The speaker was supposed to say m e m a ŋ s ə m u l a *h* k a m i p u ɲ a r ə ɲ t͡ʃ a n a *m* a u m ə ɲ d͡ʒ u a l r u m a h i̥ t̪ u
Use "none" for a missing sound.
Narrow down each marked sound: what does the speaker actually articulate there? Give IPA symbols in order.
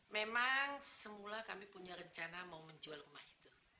h, m

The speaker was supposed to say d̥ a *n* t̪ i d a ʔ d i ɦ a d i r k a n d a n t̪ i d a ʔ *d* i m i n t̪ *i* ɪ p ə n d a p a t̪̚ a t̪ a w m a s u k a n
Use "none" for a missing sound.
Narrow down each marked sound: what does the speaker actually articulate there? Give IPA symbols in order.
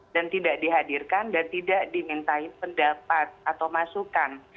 n, d, a

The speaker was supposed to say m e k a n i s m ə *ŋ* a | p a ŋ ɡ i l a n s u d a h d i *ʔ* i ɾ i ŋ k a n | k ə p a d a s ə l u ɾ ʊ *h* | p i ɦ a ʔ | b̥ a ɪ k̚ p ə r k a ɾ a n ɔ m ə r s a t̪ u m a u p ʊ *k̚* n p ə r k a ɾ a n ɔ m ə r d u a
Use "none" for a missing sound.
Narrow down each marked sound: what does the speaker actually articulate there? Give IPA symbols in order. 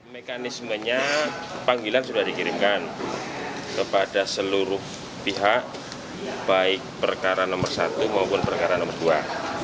ɲ, k, h, none

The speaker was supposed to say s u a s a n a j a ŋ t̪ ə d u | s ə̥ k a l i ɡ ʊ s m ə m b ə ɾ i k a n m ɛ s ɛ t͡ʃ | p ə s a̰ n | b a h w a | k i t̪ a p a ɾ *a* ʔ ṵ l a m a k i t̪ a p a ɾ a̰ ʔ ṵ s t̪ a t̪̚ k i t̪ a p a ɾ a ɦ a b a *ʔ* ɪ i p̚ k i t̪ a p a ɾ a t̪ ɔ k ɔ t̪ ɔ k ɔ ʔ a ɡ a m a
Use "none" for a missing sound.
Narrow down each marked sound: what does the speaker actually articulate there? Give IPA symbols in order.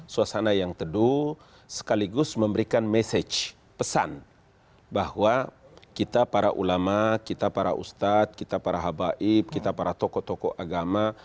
a, ʔ

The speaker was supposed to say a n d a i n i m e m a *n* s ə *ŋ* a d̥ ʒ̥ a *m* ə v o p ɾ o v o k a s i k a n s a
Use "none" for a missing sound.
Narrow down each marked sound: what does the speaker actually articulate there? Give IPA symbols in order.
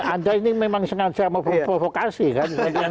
ŋ, ŋ, m

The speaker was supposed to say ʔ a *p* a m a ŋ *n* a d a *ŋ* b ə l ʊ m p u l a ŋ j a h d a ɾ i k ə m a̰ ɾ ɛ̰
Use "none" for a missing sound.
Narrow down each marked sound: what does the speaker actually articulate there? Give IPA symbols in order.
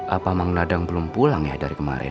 p, n, ŋ

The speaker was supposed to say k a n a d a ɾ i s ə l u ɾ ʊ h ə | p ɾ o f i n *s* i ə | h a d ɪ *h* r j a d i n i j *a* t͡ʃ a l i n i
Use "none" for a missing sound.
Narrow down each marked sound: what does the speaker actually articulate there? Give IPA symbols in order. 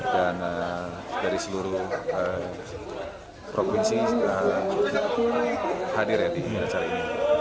s, none, a

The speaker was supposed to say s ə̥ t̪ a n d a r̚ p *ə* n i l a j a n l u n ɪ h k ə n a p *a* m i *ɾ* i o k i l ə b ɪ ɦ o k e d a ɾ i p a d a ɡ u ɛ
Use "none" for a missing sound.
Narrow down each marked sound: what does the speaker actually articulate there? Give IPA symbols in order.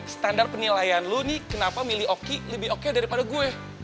ə, a, l

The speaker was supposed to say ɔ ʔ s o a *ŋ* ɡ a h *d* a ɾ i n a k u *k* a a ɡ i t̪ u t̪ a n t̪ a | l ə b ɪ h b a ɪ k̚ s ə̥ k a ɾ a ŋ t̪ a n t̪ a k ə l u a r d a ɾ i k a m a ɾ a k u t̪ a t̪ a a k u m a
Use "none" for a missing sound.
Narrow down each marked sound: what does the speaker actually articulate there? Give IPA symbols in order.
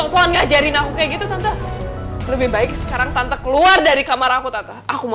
n, d͡ʒ, k

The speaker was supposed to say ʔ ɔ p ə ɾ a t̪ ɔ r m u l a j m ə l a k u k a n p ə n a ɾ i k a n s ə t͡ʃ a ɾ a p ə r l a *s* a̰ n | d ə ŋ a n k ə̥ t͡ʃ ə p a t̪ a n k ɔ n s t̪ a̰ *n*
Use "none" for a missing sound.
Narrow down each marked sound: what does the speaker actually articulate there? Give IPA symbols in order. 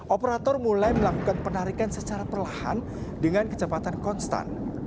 h, n

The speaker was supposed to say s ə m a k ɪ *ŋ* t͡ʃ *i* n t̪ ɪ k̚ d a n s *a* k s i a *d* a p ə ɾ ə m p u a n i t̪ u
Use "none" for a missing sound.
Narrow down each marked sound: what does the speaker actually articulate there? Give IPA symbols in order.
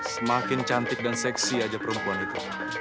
n, a, ɛ, d͡ʒ

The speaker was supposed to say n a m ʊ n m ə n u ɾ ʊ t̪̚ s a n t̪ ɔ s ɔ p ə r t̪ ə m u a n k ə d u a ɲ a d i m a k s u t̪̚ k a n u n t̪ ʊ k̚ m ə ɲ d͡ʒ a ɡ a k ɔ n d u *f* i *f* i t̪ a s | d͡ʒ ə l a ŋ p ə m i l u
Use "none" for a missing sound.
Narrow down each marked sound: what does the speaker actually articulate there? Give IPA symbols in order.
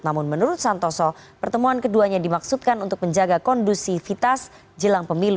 s, f

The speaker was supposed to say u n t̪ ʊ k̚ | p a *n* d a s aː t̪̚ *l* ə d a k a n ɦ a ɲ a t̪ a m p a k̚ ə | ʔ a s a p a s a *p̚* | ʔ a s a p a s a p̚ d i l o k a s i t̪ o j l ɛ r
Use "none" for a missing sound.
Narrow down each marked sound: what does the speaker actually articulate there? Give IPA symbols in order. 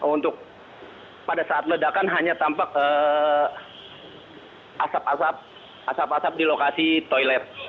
none, l, p̚

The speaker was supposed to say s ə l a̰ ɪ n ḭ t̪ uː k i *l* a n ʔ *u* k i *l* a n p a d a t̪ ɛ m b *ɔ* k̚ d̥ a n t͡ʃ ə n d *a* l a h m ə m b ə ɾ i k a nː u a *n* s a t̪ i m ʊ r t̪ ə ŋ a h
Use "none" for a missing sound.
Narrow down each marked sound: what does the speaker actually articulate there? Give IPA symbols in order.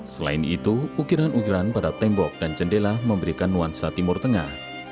ɾ, u, ɾ, ɔ, e, n

